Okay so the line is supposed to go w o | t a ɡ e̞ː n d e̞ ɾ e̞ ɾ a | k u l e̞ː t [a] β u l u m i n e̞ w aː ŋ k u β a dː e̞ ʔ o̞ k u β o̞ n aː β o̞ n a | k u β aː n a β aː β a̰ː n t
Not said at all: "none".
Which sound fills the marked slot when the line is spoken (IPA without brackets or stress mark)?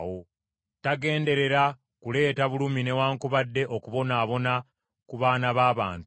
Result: a